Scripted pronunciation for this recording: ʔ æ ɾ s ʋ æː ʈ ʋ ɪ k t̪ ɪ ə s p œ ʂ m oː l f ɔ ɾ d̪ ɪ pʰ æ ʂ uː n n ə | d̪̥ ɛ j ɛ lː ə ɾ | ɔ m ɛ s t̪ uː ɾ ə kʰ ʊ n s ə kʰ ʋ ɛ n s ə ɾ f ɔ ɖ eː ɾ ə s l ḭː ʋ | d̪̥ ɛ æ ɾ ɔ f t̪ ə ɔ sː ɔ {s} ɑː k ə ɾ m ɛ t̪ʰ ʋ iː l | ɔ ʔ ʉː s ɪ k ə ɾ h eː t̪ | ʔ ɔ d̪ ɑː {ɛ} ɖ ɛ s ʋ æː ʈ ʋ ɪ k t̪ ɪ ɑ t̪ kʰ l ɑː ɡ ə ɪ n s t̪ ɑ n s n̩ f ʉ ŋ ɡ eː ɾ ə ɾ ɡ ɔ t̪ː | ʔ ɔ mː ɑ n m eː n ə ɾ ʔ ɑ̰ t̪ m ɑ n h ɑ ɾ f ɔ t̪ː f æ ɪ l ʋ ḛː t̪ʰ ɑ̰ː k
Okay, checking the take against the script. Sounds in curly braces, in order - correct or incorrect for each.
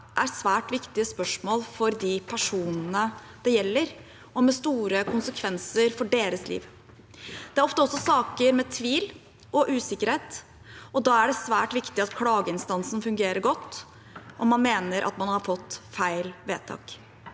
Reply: correct, incorrect

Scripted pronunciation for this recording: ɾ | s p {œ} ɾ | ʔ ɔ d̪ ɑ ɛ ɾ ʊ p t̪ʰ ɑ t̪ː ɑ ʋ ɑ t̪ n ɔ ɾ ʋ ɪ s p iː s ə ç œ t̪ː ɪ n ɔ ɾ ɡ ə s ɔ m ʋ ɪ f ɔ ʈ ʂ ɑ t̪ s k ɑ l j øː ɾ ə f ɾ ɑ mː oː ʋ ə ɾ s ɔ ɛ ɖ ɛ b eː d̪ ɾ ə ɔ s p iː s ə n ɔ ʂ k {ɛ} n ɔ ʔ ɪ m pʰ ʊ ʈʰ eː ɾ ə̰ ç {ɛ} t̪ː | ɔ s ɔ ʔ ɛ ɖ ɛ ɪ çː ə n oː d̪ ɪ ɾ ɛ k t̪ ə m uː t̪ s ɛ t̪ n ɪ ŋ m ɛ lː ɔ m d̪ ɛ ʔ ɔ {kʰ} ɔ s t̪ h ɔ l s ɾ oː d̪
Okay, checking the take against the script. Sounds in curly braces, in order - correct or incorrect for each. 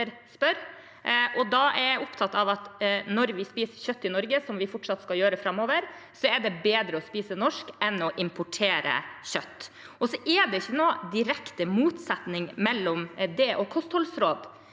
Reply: correct, correct, incorrect, correct

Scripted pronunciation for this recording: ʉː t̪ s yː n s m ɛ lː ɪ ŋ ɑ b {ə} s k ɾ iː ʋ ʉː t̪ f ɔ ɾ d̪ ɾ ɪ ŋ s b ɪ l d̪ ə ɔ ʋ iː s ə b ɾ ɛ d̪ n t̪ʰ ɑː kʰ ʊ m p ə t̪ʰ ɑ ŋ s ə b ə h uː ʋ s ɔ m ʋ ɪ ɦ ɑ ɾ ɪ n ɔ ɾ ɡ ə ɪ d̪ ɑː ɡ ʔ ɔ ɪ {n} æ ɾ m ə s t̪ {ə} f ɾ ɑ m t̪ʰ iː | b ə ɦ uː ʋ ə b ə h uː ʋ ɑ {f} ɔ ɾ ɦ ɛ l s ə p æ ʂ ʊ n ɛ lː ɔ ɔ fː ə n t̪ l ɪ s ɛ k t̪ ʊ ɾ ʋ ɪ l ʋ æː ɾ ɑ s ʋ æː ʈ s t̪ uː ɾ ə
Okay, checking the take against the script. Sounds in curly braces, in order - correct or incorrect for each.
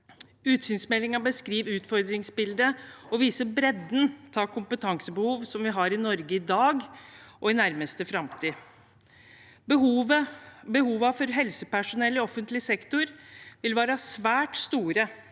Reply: correct, correct, correct, correct

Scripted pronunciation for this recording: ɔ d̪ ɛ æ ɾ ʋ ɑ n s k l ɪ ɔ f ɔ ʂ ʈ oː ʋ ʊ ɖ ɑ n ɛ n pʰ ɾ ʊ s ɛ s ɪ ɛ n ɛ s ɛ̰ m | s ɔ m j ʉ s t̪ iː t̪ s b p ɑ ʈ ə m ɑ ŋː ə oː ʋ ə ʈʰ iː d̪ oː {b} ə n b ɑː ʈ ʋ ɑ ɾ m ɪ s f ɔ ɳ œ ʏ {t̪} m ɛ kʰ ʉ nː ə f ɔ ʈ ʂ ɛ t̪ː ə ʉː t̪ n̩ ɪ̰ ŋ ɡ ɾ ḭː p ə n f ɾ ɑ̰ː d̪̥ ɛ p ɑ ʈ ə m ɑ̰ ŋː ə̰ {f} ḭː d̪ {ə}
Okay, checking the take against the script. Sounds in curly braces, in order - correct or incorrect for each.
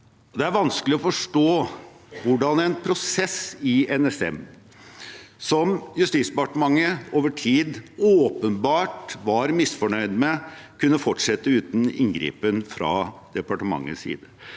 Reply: incorrect, incorrect, incorrect, correct

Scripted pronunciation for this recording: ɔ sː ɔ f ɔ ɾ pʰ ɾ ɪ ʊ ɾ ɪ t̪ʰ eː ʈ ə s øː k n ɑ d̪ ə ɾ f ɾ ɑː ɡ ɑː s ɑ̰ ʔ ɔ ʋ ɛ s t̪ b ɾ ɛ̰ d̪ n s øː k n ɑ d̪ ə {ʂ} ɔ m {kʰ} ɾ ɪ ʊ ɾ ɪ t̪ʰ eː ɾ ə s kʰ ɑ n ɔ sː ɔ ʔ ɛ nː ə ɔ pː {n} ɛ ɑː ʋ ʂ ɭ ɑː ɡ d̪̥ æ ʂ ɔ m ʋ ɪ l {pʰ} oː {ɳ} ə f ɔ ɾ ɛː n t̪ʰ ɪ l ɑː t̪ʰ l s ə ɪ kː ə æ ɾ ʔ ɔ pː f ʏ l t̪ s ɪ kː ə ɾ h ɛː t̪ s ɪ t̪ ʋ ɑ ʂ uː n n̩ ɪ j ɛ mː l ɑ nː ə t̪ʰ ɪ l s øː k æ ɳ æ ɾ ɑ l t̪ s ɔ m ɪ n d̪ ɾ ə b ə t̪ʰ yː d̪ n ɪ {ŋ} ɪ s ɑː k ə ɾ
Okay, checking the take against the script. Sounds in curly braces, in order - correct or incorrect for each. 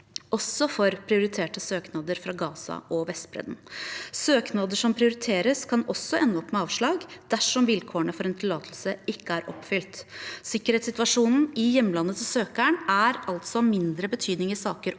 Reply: correct, incorrect, incorrect, incorrect, correct, correct

